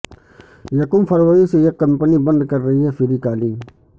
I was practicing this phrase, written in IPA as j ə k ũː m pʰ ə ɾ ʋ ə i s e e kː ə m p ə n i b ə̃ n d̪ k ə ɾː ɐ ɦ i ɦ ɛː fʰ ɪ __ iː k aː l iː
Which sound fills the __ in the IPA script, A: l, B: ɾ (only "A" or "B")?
B